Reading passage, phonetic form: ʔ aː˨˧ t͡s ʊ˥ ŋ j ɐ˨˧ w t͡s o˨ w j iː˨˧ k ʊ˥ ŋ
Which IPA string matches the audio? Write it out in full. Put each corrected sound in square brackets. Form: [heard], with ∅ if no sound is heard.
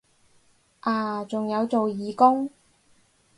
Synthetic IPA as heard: ʔ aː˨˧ t͡s [ʊ˨] ŋ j ɐ˨˧ w t͡s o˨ w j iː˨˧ k ʊ˥ ŋ